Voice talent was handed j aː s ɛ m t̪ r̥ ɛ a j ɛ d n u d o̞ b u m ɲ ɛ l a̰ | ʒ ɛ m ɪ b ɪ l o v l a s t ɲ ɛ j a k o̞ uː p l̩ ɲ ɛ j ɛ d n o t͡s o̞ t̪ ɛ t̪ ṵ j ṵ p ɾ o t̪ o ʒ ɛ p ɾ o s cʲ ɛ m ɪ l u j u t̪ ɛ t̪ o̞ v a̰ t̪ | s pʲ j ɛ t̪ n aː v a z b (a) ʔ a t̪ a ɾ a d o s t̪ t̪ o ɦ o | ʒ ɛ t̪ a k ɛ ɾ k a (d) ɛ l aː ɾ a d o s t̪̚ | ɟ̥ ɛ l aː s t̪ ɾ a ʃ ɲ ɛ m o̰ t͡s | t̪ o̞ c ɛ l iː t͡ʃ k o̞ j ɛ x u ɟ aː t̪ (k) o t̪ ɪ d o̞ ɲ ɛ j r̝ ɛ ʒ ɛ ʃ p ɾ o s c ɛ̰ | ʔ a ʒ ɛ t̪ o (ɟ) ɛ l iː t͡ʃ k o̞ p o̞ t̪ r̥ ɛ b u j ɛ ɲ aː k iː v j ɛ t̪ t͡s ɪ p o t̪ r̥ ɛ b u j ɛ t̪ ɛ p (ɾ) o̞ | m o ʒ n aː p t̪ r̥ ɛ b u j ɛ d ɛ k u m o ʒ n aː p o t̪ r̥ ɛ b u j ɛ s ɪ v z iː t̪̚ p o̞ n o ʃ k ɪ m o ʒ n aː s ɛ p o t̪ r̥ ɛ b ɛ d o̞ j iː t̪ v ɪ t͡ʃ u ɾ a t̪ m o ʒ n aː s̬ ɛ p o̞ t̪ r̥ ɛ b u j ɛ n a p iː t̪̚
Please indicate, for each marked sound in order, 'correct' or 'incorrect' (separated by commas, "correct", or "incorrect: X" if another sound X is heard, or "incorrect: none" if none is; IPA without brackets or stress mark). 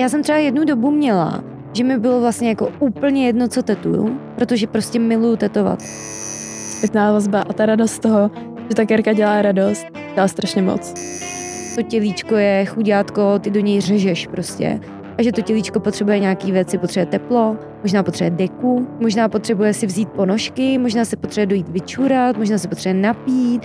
correct, incorrect: ɟ, correct, incorrect: c, incorrect: l